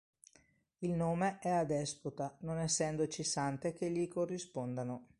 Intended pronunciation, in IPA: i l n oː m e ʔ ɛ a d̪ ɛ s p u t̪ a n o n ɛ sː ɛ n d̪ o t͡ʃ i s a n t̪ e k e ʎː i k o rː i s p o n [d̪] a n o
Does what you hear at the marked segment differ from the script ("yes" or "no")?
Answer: no